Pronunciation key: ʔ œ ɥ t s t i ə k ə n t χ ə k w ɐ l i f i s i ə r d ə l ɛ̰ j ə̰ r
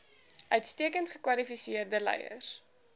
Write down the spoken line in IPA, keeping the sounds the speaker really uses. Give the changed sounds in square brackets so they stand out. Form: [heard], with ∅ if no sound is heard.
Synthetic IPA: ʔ œ ɥ t s t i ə k ə n t χ ə k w ɐ l i f i s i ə r d ə l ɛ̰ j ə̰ r